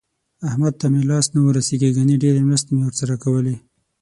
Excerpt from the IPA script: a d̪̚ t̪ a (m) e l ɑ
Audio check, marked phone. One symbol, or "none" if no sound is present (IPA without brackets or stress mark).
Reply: m